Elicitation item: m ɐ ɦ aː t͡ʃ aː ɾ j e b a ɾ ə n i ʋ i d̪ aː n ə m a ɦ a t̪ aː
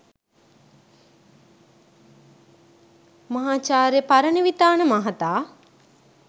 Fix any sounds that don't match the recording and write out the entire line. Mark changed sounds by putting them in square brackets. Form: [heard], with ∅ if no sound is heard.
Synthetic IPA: m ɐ ɦ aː t͡ʃ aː ɾ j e [p] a ɾ ə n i ʋ i [t̪] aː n ə m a ɦ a t̪ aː